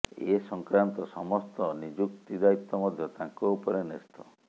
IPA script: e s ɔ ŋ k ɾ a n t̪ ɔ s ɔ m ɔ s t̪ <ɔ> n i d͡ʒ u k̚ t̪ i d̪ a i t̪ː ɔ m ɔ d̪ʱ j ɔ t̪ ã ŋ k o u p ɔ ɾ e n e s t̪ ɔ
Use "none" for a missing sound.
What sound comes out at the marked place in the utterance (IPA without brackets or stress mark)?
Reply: ɔ